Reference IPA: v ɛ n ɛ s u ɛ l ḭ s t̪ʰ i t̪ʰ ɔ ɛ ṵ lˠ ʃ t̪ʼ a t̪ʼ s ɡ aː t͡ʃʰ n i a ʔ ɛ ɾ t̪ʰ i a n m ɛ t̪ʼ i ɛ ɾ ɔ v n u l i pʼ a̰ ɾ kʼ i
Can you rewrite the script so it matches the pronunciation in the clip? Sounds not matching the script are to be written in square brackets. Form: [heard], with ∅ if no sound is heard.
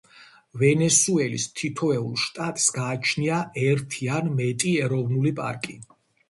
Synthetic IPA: v ɛ n ɛ s u ɛ l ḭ s t̪ʰ i t̪ʰ ɔ ɛ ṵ lˠ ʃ t̪ʼ a t̪ʼ s ɡ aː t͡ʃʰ n i a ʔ ɛ ɾ t̪ʰ i a n m ɛ t̪ʼ i ɛ ɾ ɔ v n u l i pʼ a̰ ɾ kʼ i